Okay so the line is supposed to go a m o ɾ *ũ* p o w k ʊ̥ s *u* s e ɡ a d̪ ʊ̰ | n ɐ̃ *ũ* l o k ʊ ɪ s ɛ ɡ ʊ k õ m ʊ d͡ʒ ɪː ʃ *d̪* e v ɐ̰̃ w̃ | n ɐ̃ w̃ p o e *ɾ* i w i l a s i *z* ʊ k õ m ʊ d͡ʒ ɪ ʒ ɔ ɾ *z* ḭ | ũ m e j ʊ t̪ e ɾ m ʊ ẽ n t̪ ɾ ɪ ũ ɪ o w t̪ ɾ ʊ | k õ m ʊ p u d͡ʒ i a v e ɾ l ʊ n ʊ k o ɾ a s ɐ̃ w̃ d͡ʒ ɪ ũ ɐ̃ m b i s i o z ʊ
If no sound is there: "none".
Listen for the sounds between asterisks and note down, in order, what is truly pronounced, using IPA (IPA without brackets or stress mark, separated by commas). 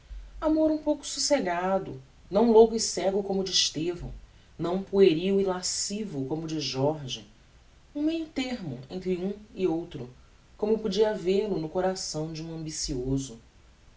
ũ, u, w̃, t̪, ɾ, v, ʒ